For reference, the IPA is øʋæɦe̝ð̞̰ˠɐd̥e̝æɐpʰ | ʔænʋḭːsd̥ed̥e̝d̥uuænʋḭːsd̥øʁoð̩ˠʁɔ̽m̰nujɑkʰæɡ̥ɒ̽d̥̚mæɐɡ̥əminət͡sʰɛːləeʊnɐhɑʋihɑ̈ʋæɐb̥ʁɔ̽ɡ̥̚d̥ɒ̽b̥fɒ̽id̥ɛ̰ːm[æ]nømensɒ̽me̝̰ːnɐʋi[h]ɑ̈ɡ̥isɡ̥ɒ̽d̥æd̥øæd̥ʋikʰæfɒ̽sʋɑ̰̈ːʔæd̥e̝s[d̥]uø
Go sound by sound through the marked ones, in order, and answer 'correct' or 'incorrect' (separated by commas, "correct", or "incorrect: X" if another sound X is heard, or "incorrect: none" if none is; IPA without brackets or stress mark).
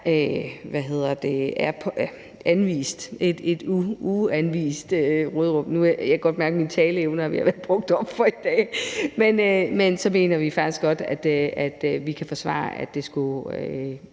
incorrect: e, incorrect: f, incorrect: ɡ̥